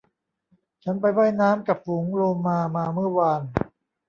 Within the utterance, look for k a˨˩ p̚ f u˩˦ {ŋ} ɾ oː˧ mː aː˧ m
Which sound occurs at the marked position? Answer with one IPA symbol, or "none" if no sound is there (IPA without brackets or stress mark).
ŋ